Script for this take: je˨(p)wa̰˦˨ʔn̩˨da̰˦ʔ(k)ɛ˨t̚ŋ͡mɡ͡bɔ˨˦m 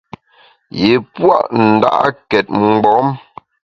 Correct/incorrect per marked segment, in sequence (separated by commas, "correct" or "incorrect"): correct, correct